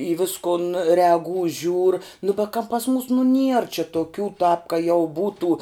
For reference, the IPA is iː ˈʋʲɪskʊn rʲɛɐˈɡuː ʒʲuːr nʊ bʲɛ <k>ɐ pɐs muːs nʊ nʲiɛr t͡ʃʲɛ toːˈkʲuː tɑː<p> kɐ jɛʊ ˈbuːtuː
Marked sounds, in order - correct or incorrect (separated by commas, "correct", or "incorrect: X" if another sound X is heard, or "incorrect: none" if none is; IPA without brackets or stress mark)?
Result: correct, correct